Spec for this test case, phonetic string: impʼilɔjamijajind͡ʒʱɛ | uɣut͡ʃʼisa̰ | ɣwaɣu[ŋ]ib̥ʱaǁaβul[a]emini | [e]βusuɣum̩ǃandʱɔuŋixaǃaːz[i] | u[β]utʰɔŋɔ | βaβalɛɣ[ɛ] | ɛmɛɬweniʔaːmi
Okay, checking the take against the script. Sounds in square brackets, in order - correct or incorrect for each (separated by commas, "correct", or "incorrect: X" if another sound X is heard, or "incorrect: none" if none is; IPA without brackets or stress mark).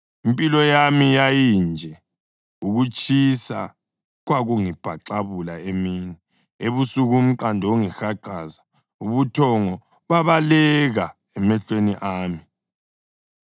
correct, correct, correct, incorrect: a, correct, incorrect: a